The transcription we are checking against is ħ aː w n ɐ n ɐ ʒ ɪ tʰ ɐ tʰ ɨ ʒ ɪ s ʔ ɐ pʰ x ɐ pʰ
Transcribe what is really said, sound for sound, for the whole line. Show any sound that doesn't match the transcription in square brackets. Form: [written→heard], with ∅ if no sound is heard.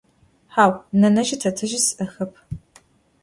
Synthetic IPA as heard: ħ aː w n ɐ n ɐ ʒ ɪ tʰ ɐ tʰ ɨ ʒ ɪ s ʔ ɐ [pʰ→∅] x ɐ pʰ

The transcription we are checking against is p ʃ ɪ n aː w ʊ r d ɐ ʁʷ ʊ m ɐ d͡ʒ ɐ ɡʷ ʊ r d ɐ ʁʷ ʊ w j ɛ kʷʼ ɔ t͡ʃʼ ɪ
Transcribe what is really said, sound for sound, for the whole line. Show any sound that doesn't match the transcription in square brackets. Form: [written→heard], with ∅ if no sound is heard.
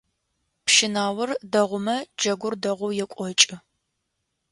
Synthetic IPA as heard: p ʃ ɪ n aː w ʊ r d ɐ ʁʷ ʊ m ɐ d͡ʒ ɐ ɡʷ ʊ r d ɐ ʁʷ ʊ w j ɛ kʷʼ ɔ t͡ʃʼ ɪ

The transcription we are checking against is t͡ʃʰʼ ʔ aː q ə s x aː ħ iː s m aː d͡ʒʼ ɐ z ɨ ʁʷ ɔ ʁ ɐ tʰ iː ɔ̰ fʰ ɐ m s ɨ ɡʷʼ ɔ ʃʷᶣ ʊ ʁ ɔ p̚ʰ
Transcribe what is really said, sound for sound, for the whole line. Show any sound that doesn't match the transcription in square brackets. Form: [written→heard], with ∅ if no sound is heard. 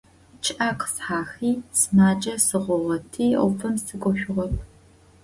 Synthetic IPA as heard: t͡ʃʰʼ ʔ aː q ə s [x→ħ] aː [ħ→x] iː s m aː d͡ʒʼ ɐ [z→s] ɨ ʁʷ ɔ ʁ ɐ tʰ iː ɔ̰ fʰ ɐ m s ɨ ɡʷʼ ɔ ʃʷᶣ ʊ ʁ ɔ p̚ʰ

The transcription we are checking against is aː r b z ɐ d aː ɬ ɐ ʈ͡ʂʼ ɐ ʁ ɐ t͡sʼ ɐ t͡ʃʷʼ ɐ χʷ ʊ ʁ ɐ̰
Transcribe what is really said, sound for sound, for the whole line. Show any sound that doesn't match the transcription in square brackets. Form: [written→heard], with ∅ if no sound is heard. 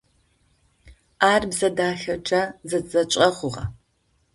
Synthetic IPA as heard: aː r b z ɐ d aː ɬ ɐ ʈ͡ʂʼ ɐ [ʁ→z] ɐ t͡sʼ ɐ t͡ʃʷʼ ɐ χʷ ʊ ʁ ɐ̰

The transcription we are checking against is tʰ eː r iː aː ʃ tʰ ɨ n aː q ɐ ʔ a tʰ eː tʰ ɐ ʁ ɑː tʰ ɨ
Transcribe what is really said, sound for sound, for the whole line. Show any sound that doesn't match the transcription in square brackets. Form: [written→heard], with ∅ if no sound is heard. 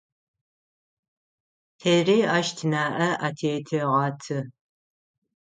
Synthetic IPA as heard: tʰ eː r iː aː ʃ tʰ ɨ n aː [q→ʔ] ɐ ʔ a tʰ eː tʰ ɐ ʁ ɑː tʰ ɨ

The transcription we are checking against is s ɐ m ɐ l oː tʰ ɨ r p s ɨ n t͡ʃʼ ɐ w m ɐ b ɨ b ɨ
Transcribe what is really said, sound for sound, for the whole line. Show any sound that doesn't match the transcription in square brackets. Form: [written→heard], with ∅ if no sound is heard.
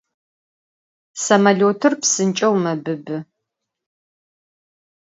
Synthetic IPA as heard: s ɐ m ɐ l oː tʰ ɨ r p s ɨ n t͡ʃʼ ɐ w m ɐ b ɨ b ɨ

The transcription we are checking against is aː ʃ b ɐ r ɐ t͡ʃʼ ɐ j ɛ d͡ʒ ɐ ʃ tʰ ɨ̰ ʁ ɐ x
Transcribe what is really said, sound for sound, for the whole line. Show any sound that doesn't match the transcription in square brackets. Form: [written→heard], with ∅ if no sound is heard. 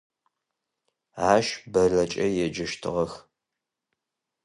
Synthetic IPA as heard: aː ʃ b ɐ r ɐ t͡ʃʼ ɐ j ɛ d͡ʒ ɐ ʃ tʰ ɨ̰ ʁ ɐ x

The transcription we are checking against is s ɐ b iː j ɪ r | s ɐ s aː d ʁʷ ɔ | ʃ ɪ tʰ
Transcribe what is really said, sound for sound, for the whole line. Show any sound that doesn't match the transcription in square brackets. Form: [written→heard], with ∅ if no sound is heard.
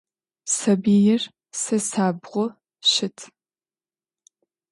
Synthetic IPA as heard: s ɐ b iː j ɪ r | s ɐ s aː [d→b] ʁʷ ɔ | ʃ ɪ tʰ

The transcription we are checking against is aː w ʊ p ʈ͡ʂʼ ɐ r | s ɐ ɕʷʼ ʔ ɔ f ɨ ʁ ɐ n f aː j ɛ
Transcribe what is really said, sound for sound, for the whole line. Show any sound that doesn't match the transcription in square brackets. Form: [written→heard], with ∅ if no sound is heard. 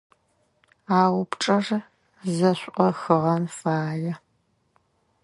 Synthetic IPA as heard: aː w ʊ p ʈ͡ʂʼ ɐ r | [s→z] ɐ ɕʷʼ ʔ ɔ [f→x] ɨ ʁ ɐ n f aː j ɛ

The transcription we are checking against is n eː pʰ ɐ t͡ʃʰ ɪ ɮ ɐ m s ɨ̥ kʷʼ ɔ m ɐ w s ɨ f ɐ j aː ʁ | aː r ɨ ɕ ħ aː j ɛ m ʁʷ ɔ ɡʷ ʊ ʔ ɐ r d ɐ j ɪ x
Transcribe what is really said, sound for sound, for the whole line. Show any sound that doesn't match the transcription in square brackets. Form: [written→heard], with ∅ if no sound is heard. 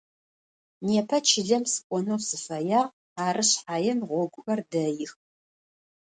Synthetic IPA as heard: n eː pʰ ɐ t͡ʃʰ ɪ ɮ ɐ m s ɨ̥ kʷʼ ɔ [m→n] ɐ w s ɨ f ɐ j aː ʁ | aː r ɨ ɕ ħ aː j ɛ m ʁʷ ɔ ɡʷ ʊ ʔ ɐ r d ɐ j ɪ x

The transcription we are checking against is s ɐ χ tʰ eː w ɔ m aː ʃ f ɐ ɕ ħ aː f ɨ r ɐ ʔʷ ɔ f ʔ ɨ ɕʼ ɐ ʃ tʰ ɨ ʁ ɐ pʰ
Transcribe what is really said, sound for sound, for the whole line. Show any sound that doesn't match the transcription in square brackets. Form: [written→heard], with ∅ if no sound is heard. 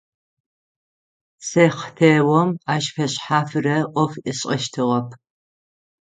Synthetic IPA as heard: s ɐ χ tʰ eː w ɔ m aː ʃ f ɐ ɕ ħ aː f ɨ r ɐ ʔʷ ɔ f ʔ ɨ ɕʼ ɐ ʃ tʰ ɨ ʁ ɐ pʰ

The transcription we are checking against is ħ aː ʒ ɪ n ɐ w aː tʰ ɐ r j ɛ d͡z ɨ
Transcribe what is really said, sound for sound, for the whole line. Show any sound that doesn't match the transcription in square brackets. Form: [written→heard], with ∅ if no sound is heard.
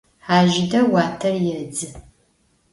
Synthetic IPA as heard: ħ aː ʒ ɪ [n→d] ɐ w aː tʰ ɐ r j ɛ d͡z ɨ

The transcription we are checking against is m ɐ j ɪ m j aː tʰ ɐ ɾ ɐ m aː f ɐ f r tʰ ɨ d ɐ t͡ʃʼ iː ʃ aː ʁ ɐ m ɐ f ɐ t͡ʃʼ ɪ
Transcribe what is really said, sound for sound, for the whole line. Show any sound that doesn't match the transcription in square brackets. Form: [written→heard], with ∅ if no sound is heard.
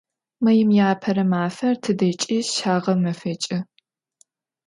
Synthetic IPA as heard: m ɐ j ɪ m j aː [tʰ→pʰ] ɐ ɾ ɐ m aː f ɐ [f→∅] r tʰ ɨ d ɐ t͡ʃʼ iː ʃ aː ʁ ɐ m ɐ f ɐ t͡ʃʼ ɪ

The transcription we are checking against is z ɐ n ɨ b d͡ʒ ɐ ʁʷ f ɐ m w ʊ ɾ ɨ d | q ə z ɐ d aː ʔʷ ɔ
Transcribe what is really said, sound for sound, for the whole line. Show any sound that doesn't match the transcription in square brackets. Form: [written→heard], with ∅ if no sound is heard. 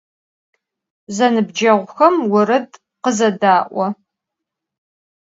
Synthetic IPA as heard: z ɐ n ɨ b d͡ʒ ɐ ʁʷ [f→x] ɐ m w ʊ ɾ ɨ d | q ə z ɐ d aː ʔʷ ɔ

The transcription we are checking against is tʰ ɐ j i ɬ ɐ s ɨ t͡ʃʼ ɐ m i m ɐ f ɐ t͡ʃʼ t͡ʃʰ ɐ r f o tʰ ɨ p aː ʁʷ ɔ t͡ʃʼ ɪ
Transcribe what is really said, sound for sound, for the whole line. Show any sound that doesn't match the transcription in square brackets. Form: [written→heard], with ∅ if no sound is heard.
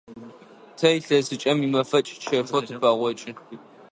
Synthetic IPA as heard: tʰ ɐ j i ɬ ɐ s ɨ t͡ʃʼ ɐ m i m ɐ f ɐ t͡ʃʼ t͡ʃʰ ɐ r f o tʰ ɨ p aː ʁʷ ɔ t͡ʃʼ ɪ

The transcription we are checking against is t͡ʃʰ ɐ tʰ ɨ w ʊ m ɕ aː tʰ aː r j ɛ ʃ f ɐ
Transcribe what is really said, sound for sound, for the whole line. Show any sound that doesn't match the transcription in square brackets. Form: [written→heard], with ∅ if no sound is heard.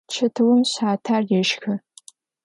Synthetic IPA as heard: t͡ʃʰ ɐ tʰ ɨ w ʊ m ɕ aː tʰ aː r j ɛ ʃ [f→x] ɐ

